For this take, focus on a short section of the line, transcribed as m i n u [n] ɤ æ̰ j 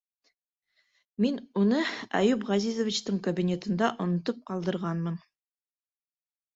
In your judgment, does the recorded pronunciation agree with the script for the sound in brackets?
yes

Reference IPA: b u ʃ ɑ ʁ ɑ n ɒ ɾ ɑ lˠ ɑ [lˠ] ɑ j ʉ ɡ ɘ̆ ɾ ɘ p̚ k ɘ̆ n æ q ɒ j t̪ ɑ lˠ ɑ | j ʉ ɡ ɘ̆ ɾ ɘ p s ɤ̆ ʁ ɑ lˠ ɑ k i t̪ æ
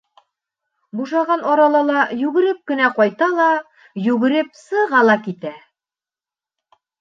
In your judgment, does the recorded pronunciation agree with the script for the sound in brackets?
yes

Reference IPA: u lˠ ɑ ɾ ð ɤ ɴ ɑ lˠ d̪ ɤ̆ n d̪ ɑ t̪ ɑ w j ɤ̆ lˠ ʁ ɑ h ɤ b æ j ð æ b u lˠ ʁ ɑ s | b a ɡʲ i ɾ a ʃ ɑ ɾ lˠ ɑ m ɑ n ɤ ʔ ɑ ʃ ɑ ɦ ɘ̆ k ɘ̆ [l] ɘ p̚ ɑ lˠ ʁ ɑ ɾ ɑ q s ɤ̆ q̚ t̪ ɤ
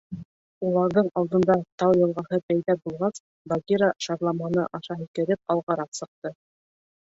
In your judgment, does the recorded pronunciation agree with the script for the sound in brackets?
no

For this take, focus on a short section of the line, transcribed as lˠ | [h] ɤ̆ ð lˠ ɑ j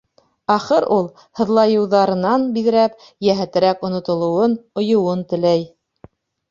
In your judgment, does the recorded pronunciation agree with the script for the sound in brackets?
yes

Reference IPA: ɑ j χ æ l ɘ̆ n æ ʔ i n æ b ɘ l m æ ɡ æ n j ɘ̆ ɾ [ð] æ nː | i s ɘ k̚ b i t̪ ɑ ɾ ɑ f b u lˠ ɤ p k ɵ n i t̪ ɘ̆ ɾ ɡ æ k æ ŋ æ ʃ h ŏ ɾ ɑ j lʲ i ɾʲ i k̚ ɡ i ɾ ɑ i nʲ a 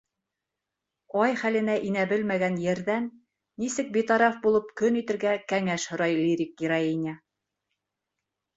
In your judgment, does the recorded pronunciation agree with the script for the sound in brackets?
yes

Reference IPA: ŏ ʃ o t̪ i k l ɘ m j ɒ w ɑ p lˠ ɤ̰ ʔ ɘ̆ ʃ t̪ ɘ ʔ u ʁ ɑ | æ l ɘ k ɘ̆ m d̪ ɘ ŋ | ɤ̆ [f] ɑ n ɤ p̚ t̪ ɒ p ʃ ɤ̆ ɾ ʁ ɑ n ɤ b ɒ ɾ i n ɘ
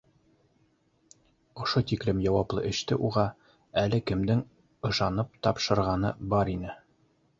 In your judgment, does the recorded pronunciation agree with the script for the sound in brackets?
no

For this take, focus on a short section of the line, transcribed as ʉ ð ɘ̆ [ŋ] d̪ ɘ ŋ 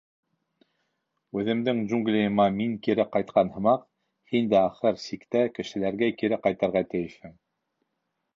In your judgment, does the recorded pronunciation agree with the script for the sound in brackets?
no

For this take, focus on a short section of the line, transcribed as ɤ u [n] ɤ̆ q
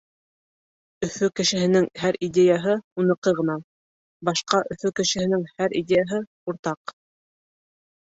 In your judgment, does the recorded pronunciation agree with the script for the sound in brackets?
yes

